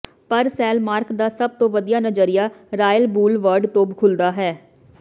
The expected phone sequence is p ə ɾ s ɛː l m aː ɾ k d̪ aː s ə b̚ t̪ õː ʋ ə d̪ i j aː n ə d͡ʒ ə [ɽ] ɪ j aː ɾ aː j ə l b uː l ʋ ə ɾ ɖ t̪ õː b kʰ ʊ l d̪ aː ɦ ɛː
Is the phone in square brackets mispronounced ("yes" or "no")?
yes